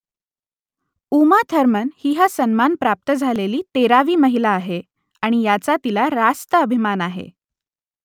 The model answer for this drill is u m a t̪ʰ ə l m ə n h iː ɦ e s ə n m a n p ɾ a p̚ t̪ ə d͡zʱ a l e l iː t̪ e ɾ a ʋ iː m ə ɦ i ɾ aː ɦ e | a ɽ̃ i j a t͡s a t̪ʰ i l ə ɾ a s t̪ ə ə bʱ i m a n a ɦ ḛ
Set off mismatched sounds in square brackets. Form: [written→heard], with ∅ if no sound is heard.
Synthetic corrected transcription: u m a t̪ʰ ə [l→ɾ] m ə n h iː ɦ [e→a] s ə n m a n p ɾ a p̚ t̪ ə d͡zʱ a l e l iː t̪ e ɾ a ʋ iː m ə ɦ i [ɾ→l] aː ɦ e | a ɽ̃ i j a t͡s a [t̪ʰ→t̪] i l [ə→a] ɾ a s t̪ ə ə bʱ i m a n a ɦ ḛ